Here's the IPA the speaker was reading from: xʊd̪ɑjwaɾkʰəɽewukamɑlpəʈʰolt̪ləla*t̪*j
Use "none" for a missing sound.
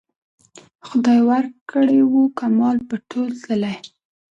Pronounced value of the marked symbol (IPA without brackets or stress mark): none